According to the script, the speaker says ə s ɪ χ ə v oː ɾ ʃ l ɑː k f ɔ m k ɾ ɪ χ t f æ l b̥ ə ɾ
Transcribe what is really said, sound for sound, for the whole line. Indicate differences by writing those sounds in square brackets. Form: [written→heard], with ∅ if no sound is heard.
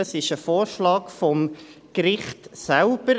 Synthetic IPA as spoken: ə s ɪ [χ→ʃ] ə [v→f] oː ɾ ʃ l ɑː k f ɔ m k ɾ ɪ χ t [f→s] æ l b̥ ə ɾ